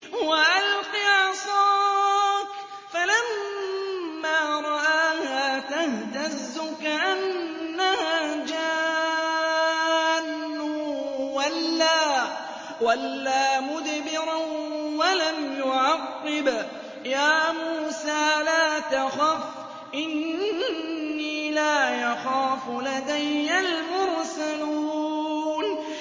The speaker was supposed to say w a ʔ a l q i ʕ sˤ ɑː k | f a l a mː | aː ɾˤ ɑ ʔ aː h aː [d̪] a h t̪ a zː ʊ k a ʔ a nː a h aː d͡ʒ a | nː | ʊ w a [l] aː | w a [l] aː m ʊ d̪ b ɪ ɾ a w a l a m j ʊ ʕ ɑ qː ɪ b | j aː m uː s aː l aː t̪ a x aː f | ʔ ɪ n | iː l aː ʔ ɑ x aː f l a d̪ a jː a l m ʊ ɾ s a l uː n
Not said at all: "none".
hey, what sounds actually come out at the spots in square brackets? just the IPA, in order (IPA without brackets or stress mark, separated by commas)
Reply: t̪, lː, lː